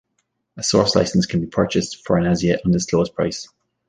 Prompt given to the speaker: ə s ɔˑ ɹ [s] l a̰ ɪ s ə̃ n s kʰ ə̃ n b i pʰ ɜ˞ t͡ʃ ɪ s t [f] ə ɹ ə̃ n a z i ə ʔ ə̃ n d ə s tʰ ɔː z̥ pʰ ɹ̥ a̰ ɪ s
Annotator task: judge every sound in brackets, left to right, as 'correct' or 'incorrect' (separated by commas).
correct, correct